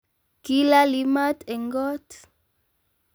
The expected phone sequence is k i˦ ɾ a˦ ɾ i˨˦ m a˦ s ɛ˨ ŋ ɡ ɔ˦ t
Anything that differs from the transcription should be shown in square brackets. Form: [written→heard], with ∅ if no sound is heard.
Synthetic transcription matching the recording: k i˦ [ɾ→l] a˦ [ɾ→l] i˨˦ m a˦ [s→t] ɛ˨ ŋ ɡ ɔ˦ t